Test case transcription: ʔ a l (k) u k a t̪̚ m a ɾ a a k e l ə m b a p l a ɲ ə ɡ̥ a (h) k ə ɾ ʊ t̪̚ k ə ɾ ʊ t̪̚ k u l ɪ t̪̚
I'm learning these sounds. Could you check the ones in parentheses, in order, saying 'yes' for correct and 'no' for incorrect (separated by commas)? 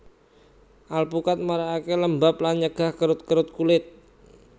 no, yes